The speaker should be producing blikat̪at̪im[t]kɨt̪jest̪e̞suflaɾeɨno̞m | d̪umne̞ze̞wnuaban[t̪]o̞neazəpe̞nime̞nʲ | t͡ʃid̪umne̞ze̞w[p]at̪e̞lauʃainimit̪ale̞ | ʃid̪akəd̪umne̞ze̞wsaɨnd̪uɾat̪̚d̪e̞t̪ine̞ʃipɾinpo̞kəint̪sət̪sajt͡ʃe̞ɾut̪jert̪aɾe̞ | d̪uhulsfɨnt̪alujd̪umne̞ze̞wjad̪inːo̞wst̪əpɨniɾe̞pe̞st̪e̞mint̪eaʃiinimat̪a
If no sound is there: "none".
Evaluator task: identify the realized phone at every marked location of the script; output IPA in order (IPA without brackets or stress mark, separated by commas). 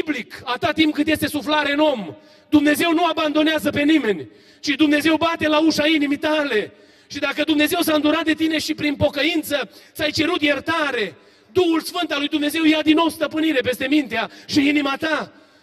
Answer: p, d̪, b